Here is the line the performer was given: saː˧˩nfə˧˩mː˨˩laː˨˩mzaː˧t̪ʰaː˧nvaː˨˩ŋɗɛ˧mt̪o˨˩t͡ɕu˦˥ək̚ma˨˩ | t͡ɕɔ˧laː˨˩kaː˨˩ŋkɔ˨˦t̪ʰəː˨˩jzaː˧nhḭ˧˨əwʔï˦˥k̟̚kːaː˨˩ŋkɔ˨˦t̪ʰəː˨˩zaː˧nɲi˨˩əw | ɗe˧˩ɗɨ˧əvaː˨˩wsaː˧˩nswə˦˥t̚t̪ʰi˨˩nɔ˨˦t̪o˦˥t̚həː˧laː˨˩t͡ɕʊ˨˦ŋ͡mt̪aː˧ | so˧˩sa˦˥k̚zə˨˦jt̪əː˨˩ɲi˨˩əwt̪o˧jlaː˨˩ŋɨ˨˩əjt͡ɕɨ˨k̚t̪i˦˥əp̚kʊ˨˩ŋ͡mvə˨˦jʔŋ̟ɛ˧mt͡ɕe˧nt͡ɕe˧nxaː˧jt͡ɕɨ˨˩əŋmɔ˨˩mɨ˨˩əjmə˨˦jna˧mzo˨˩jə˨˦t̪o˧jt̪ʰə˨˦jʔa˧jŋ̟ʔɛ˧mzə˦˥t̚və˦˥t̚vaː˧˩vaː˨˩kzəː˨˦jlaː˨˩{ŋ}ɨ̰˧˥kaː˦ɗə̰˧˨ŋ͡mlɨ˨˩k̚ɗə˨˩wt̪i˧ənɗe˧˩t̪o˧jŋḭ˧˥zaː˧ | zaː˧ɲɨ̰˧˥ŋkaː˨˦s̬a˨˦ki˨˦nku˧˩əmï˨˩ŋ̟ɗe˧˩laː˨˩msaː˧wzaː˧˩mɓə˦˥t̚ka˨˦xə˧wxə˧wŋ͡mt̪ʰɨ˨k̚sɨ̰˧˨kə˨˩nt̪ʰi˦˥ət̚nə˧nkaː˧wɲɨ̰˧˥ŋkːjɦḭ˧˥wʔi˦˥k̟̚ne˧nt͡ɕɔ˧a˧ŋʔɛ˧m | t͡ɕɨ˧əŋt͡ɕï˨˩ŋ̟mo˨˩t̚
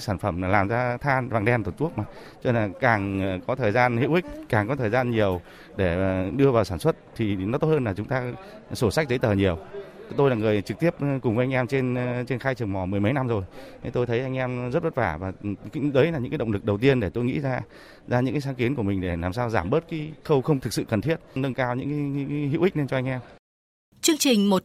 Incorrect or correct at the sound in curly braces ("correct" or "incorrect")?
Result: incorrect